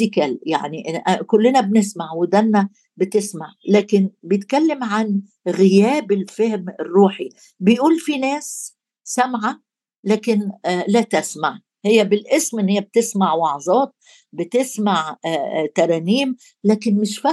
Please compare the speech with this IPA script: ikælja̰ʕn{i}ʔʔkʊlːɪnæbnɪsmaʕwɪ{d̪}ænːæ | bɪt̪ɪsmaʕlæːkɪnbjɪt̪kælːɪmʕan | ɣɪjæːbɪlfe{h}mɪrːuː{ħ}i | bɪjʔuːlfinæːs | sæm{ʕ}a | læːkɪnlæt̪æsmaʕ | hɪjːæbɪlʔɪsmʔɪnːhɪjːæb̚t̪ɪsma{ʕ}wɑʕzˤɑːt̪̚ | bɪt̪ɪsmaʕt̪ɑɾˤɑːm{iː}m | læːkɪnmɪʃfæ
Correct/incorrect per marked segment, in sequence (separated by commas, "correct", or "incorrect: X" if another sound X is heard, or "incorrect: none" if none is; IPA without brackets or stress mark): correct, correct, correct, correct, correct, correct, correct